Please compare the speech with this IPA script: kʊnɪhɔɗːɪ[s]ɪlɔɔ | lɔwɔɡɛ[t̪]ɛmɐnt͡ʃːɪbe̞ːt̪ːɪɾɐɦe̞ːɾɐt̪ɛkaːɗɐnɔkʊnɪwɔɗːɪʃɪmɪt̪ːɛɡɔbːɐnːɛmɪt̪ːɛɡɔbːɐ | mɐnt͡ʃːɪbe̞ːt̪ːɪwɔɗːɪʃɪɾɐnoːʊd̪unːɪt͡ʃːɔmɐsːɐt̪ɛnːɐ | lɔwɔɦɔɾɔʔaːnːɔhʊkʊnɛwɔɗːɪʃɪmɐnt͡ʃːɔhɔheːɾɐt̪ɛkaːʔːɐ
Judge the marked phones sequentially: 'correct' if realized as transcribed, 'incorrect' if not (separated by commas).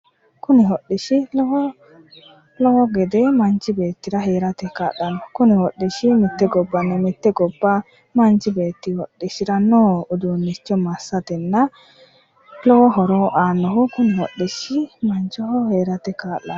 incorrect, incorrect